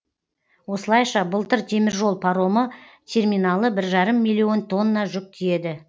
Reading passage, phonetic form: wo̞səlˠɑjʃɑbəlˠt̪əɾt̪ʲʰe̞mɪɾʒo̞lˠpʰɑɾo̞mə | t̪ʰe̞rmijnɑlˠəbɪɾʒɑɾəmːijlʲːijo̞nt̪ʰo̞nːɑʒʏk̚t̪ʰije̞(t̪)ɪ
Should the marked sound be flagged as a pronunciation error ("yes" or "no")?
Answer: yes